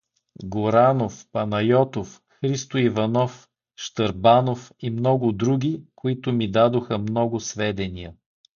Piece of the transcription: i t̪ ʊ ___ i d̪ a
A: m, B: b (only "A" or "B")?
A